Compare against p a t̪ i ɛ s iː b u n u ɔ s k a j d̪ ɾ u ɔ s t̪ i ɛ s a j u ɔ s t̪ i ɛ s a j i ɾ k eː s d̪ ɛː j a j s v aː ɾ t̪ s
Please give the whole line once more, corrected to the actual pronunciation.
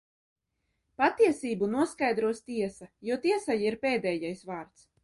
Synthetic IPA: p a t̪ i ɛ s iː b u n u ɔ s k a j d̪ ɾ u ɔ s t̪ i ɛ s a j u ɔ t̪ i ɛ s a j i ɾ p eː d̪ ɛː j a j s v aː ɾ t̪ s